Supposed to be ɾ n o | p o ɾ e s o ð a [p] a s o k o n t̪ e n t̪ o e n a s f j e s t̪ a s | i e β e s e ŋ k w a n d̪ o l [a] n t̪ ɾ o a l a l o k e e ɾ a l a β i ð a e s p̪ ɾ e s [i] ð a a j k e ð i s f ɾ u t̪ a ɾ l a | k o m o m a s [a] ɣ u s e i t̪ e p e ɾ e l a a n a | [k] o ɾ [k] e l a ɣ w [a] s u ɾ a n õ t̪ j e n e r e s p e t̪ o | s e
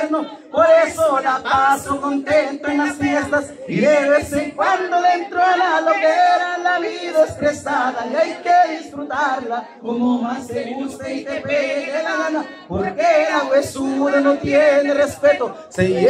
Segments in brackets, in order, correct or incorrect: correct, incorrect, incorrect, incorrect, incorrect, correct, incorrect

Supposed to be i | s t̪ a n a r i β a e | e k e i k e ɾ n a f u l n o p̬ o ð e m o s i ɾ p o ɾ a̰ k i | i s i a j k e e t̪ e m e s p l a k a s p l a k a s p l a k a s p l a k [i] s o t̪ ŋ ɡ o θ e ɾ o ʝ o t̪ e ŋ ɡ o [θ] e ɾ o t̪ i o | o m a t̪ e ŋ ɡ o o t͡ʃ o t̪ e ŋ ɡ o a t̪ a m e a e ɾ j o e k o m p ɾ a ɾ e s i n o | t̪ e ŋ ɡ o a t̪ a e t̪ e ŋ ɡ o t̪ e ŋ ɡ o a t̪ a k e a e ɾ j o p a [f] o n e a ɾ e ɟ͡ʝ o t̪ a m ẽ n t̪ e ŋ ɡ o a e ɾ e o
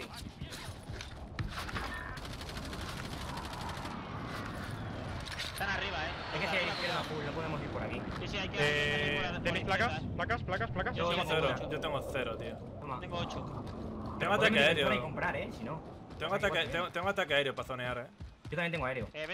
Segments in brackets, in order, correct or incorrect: incorrect, correct, incorrect

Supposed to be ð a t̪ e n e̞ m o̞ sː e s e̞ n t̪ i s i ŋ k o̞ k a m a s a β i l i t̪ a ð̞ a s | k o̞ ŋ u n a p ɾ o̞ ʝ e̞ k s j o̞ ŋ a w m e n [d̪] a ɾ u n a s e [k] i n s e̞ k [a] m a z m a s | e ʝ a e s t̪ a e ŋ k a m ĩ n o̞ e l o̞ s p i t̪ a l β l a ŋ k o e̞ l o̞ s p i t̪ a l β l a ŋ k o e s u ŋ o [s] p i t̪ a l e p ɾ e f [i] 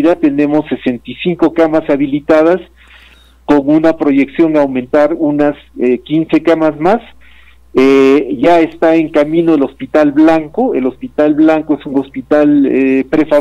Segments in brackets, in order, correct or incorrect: incorrect, correct, correct, correct, incorrect

